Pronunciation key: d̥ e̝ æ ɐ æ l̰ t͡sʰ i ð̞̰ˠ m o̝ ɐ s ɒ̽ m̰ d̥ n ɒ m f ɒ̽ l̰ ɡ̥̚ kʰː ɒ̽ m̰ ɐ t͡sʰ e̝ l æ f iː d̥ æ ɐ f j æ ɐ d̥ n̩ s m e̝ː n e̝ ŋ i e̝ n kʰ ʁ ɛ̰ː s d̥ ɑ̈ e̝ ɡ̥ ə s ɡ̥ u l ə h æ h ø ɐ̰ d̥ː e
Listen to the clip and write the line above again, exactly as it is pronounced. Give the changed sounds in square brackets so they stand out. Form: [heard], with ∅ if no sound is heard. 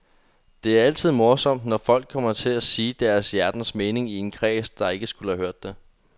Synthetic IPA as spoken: d̥ e̝ æ ɐ æ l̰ t͡sʰ i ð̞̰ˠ m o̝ ɐ s ɒ̽ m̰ d̥ n ɒ [∅] f ɒ̽ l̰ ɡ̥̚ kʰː ɒ̽ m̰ ɐ t͡sʰ e̝ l æ [s] iː d̥ æ ɐ [s] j æ ɐ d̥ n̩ s m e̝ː n e̝ ŋ i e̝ n kʰ ʁ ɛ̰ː s d̥ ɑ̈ e̝ ɡ̥ ə s ɡ̥ u l ə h æ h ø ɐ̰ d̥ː e